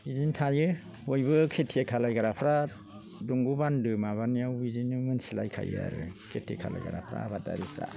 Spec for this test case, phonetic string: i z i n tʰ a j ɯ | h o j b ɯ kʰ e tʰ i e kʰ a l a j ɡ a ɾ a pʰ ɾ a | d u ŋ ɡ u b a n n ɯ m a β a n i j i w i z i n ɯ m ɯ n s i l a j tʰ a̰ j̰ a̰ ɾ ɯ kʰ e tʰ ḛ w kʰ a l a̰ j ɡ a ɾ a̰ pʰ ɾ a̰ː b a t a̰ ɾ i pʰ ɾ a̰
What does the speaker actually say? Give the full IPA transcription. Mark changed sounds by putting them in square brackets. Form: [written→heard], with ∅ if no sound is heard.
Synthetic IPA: i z i n tʰ a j ɯ | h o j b ɯ kʰ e tʰ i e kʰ a l a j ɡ a ɾ a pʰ ɾ a | d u ŋ ɡ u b a n [n→d] ɯ m a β a n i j [i→a] w i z i n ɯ m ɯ n s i l a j [tʰ→kʰ] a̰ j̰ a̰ ɾ ɯ kʰ e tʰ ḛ [w→∅] kʰ a l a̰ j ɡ a ɾ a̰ pʰ ɾ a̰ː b a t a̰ ɾ i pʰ ɾ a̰